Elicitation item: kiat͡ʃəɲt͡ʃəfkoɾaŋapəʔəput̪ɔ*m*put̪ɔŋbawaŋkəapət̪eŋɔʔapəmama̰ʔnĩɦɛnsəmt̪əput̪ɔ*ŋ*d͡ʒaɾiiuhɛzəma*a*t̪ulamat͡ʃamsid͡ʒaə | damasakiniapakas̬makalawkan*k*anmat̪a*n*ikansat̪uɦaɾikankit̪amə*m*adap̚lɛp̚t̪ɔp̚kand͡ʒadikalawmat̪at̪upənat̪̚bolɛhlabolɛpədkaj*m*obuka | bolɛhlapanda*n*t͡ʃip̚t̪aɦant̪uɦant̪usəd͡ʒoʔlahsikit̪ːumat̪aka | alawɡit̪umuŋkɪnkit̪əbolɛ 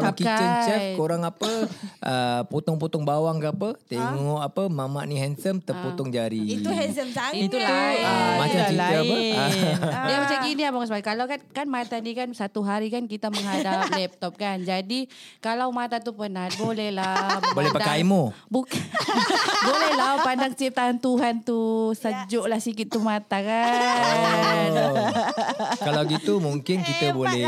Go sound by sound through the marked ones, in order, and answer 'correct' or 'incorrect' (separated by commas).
incorrect, correct, incorrect, correct, correct, incorrect, correct, incorrect